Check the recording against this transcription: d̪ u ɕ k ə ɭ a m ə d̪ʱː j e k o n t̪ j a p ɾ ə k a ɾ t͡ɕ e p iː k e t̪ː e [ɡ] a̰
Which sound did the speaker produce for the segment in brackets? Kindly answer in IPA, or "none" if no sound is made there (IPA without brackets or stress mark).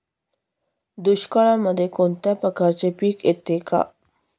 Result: k